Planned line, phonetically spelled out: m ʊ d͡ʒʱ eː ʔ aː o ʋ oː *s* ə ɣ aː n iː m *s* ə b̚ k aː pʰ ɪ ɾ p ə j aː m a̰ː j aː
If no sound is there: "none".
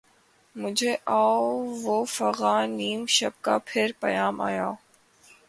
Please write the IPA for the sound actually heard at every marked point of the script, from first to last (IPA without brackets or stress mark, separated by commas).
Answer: f, ʃ